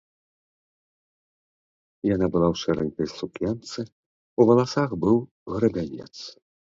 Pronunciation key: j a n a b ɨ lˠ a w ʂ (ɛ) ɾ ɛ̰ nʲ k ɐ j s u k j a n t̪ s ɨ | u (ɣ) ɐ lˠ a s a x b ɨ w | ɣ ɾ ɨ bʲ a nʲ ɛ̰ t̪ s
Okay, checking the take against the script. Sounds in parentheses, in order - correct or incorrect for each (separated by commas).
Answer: correct, incorrect